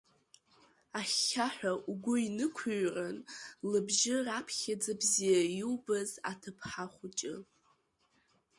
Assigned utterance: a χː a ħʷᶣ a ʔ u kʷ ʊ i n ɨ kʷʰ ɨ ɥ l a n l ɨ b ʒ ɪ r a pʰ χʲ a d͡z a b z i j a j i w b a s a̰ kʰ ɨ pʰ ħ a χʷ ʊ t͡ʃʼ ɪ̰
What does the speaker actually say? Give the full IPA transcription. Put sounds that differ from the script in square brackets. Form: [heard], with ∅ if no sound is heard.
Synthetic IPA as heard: a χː a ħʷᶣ a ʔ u [ɡʷ] ʊ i n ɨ kʷʰ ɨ ɥ [r] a n l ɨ b ʒ ɪ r a pʰ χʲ a d͡z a b z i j a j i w b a [z] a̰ [tʰ] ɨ pʰ ħ a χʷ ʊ t͡ʃʼ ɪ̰

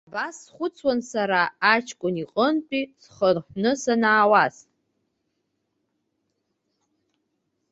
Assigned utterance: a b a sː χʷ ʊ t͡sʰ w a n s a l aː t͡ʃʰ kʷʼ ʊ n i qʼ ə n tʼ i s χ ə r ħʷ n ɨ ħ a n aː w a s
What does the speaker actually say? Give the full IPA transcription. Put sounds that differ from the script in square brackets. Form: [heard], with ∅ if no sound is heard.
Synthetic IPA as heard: a b a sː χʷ ʊ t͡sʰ w a n s a [ɾ] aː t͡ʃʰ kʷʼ ʊ n i qʼ ə n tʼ i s χ ə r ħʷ n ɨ [s] a n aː w a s

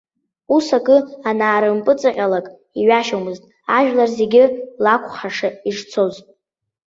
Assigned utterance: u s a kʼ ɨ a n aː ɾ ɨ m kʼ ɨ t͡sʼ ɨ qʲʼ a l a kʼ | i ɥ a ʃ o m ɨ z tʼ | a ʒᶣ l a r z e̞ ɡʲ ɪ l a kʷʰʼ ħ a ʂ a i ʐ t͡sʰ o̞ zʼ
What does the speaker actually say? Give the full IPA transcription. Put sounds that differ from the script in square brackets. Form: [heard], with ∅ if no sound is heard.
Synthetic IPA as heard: u s a kʼ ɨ a n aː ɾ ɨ m [pʼ] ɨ t͡sʼ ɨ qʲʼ a l a kʼ | i ɥ a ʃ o m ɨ z tʼ | a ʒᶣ l a r z e̞ ɡʲ ɪ l a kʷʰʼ [χ] a ʂ a i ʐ t͡sʰ o̞ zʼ

